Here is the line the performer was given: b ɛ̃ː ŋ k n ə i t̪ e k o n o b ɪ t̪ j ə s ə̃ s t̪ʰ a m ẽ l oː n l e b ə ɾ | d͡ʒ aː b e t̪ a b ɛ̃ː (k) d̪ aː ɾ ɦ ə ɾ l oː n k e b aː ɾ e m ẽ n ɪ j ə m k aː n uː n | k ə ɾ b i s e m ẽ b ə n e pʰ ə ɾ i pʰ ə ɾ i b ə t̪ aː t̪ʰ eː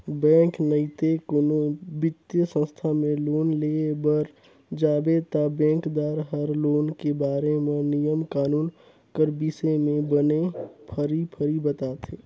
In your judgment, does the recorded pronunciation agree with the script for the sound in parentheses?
yes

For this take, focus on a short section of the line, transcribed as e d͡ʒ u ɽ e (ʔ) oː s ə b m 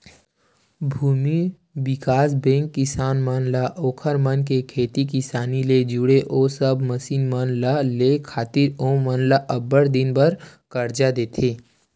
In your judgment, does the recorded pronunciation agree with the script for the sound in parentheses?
yes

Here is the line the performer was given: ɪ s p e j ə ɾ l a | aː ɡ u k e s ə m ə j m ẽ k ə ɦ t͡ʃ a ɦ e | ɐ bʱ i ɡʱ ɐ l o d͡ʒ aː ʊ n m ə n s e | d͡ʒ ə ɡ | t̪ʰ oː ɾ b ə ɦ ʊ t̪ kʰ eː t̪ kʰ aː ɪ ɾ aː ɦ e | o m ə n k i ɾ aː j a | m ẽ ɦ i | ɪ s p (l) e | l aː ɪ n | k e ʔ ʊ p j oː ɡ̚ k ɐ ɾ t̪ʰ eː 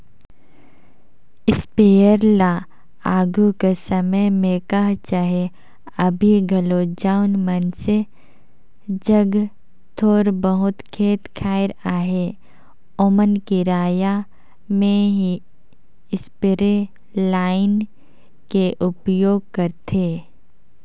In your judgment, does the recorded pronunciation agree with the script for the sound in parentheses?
no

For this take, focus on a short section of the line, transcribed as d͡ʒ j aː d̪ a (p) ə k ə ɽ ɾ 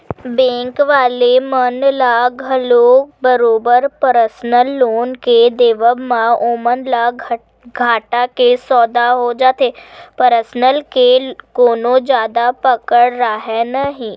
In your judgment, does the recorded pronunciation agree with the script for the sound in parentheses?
yes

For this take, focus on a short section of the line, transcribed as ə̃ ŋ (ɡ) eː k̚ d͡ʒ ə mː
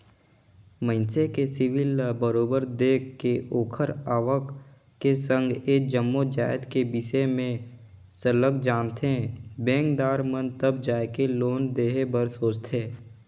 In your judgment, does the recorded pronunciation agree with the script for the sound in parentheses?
yes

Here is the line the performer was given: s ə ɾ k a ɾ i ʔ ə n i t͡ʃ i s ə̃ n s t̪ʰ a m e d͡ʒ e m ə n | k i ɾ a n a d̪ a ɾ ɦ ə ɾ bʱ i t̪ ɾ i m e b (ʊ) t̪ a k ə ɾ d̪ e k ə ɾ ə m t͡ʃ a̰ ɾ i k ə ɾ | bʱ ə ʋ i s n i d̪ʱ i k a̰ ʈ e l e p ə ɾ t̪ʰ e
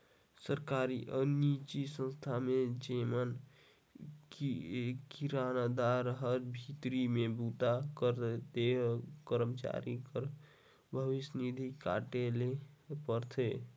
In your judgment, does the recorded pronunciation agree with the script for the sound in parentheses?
no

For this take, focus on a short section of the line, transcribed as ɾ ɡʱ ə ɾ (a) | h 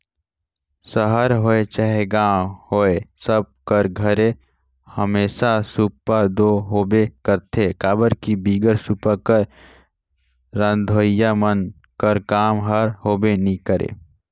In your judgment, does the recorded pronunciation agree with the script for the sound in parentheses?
no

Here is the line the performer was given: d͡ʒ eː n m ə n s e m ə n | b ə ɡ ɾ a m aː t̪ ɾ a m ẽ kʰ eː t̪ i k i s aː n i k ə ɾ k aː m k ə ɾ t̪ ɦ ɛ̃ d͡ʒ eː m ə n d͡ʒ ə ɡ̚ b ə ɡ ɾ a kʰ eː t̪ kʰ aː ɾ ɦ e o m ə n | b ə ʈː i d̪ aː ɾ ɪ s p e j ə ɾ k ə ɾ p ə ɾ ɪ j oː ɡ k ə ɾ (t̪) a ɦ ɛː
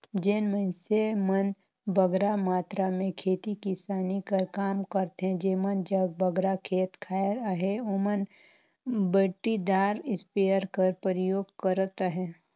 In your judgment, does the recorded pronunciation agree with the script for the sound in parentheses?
yes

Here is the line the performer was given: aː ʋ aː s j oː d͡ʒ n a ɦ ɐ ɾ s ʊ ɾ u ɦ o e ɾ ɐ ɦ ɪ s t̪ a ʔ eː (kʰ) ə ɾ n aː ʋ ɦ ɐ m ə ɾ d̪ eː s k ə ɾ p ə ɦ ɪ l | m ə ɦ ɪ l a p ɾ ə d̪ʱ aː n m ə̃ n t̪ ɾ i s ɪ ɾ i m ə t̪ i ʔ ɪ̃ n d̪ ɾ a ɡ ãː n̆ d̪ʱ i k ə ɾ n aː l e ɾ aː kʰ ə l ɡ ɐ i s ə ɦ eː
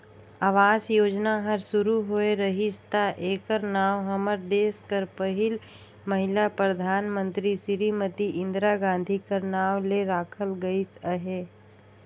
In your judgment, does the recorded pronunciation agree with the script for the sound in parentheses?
no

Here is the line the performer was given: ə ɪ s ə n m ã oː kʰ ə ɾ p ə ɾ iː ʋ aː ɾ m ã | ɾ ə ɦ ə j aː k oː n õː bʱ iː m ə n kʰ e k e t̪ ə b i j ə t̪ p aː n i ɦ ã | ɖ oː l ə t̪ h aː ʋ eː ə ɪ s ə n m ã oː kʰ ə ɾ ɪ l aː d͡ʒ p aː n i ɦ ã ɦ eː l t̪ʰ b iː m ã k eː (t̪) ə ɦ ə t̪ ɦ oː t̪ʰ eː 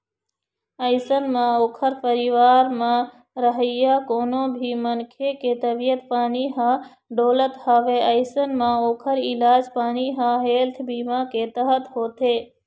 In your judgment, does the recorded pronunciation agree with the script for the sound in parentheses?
yes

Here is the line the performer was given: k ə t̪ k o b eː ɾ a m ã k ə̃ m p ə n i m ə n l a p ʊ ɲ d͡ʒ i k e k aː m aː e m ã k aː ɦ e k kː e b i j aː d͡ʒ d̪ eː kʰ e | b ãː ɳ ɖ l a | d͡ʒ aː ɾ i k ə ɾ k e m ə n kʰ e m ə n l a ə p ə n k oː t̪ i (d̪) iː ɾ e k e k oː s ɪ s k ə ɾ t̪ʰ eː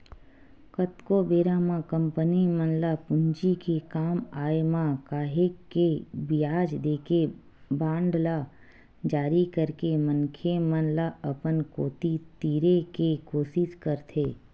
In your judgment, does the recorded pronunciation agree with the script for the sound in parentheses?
no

